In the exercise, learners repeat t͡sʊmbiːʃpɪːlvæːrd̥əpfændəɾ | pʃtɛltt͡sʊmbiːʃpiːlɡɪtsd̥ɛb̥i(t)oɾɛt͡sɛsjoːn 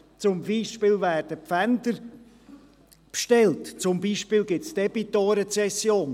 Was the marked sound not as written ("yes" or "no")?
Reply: no